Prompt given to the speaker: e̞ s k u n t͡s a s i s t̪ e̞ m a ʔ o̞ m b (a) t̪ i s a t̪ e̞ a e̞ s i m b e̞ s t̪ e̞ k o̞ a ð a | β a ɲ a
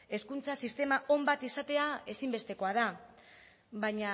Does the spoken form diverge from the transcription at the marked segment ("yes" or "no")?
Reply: no